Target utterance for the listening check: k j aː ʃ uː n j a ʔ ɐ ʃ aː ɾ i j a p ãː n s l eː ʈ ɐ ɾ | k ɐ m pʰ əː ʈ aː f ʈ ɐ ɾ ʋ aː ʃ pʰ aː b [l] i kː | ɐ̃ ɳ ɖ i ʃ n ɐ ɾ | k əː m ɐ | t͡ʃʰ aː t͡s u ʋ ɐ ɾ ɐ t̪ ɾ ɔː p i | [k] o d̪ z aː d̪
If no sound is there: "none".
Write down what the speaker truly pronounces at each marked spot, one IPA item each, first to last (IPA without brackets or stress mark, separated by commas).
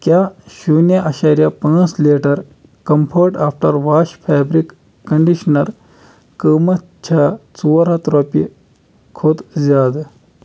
ɾ, kʰ